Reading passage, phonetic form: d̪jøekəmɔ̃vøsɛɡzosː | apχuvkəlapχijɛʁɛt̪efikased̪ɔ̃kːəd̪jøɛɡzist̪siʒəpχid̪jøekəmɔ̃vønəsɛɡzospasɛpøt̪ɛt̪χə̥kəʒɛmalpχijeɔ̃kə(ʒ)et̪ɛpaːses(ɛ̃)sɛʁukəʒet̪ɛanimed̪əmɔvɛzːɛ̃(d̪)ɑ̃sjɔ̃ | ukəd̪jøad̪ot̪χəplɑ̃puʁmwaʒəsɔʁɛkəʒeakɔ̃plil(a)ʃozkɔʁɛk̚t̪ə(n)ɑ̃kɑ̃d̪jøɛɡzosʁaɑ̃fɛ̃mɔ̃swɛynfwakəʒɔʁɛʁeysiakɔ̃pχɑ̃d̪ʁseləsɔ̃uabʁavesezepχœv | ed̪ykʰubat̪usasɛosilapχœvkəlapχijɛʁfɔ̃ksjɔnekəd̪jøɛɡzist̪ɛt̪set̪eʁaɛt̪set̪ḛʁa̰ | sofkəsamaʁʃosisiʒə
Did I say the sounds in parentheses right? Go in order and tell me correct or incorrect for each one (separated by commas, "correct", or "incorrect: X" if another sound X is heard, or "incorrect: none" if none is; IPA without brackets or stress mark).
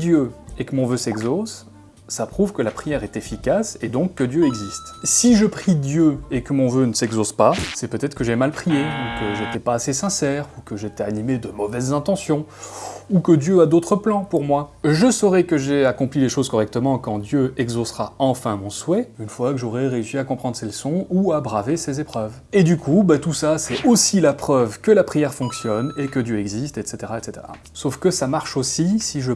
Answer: correct, correct, incorrect: t̪, incorrect: e, incorrect: m